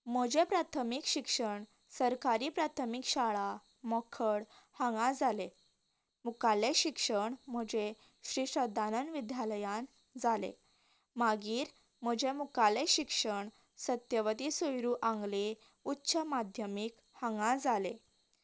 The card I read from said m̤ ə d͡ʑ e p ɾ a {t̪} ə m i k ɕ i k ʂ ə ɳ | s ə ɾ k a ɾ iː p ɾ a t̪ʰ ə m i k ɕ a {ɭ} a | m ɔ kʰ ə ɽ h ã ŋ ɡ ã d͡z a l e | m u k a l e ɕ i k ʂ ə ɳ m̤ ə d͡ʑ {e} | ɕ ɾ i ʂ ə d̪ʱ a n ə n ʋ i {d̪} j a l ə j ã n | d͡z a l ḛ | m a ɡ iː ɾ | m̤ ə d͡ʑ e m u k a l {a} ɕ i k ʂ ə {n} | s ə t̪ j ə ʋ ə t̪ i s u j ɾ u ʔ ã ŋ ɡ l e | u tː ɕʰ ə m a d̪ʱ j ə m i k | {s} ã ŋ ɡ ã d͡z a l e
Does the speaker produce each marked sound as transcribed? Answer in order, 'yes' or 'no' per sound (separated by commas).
no, yes, yes, yes, no, no, no